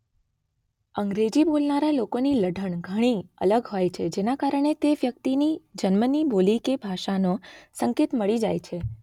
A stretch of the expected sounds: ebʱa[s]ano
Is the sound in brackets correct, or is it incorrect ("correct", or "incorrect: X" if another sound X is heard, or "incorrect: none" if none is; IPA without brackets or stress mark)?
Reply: incorrect: ʃ